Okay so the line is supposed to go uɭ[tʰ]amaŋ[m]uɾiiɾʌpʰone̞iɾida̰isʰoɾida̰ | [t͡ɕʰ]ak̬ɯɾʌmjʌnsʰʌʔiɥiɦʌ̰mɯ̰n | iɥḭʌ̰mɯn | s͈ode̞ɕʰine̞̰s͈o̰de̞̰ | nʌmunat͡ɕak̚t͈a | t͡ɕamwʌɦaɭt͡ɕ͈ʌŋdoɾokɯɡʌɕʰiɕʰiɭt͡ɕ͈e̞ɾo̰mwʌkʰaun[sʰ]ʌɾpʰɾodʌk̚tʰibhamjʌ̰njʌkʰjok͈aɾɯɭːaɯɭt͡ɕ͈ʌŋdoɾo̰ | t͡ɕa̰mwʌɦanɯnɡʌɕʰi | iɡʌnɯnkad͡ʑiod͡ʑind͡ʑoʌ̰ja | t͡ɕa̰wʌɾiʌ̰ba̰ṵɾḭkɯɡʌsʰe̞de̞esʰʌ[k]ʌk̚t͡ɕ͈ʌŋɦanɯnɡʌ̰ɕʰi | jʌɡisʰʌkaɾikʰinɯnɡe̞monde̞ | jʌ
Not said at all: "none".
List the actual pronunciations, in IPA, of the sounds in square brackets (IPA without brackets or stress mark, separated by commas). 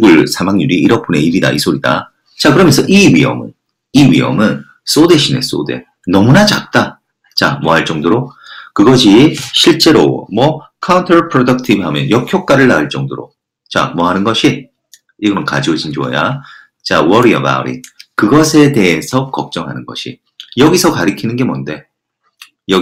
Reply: sʰ, ɲ, t͡ɕ, tʰ, k